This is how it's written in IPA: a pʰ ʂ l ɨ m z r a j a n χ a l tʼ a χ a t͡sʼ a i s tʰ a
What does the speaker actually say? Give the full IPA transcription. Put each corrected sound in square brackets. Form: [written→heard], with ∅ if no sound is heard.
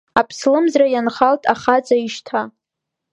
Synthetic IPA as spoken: a pʰ [ʂ→s] l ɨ m z r a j a n χ a l tʼ a χ a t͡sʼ a i [s→ʃ] tʰ a